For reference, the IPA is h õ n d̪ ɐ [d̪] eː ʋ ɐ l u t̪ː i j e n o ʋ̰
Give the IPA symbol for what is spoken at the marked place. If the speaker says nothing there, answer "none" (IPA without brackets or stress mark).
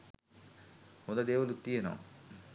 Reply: d̪